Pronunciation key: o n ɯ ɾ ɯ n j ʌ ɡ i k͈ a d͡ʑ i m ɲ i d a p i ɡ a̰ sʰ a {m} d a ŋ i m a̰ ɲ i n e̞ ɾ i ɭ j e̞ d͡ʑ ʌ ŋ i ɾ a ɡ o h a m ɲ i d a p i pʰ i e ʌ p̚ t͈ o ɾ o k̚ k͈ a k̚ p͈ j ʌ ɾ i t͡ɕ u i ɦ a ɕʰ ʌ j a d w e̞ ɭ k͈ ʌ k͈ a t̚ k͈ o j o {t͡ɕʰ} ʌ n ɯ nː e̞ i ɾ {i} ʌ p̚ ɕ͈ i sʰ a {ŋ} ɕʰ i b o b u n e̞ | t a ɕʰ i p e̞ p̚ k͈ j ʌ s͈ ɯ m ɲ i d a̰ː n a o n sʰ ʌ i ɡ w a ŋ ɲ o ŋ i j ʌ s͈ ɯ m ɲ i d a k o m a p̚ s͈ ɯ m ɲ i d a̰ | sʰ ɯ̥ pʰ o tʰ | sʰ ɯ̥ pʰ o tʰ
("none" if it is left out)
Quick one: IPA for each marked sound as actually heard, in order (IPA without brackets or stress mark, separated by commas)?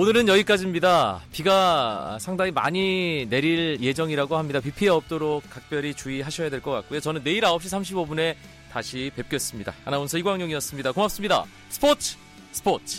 ŋ, t͡ɕ, a, m